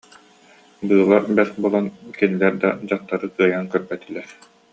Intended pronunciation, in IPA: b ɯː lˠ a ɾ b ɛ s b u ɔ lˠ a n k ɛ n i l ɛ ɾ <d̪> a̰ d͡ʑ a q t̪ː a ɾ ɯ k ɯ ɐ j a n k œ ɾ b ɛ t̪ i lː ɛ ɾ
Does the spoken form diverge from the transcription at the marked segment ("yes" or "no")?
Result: no